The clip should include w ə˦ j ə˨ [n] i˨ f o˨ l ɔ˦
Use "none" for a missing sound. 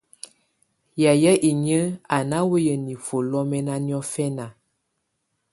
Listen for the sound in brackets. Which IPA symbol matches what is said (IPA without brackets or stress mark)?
n